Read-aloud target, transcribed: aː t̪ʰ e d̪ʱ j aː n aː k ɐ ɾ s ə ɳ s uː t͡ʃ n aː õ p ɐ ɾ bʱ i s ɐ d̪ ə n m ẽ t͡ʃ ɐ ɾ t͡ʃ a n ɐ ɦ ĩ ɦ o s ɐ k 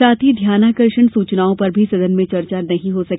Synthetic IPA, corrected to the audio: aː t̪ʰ i d̪ʱ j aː n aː k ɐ ɾ ʃ ə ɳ s uː t͡ʃ n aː õ p ɐ ɾ bʱ i s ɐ d̪ ə n m ẽ t͡ʃ ɐ ɾ t͡ʃ a n ɐ ɦ ĩ ɦ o s ɐ k